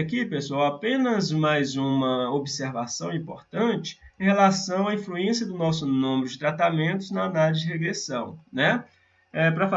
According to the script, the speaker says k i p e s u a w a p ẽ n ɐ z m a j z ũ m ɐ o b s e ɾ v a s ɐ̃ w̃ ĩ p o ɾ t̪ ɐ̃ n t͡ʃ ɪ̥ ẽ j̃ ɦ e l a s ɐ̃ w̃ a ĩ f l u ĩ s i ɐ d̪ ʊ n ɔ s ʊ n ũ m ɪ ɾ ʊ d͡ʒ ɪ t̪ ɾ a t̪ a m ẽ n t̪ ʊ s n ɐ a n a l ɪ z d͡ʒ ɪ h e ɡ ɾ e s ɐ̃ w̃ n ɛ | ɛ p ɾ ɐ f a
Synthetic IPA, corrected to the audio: k i p e s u a w a p ẽ n ɐ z m a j z ũ m ɐ o b s e ɾ v a s ɐ̃ w̃ ĩ p o ɾ t̪ ɐ̃ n t͡ʃ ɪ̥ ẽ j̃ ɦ e l a s ɐ̃ w̃ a ĩ f l u ẽ s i ɐ d̪ ʊ n ɔ s ʊ n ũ m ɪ ɾ ʊ d͡ʒ ɪ t̪ ɾ a t̪ a m ẽ n t̪ ʊ z n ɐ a n a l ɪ z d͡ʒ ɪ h e ɡ ɾ e s ɐ̃ w̃ n ɛ | ɛ p ɾ ɐ f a